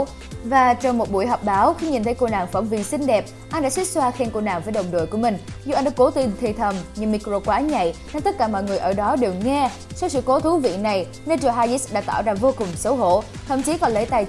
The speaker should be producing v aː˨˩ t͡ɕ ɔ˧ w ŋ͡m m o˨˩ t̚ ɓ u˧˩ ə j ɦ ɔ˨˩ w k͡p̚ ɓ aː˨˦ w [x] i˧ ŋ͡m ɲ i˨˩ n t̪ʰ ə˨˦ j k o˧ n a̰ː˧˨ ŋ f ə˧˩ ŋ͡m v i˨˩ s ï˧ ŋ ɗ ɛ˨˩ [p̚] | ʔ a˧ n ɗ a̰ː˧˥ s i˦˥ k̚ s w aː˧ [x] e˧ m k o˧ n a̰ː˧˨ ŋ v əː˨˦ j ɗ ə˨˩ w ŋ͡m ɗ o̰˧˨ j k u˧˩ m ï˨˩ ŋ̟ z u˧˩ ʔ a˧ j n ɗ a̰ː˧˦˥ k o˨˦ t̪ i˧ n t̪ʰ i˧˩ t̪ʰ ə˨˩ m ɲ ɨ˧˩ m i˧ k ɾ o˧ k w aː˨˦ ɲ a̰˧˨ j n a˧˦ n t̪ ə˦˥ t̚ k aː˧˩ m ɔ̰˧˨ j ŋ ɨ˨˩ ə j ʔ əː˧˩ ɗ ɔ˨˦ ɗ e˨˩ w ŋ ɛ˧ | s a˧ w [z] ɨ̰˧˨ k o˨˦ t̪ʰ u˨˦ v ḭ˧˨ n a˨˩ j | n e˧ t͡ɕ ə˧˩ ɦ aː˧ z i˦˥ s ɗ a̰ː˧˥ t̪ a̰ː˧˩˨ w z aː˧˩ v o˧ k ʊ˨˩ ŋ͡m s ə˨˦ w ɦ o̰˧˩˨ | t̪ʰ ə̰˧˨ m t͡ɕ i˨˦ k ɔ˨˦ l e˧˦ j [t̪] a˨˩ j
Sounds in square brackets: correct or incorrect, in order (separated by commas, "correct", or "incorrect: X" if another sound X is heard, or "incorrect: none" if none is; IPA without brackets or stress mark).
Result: correct, correct, correct, incorrect: s, correct